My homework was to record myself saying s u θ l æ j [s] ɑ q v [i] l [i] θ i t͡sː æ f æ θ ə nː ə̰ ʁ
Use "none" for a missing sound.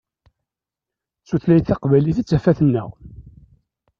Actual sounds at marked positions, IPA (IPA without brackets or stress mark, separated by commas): θ, æ, i